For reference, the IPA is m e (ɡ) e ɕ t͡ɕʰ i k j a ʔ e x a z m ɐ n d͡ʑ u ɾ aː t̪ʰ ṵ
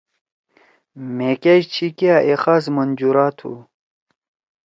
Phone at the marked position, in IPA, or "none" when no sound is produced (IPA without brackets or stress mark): k